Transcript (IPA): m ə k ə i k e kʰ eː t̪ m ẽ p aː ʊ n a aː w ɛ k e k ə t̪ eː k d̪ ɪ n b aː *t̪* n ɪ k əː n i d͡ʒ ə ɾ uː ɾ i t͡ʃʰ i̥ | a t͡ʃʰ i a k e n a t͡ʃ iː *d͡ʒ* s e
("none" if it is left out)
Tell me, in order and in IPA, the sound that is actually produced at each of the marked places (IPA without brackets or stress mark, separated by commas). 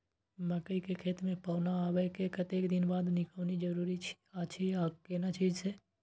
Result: d̪, d͡ʒ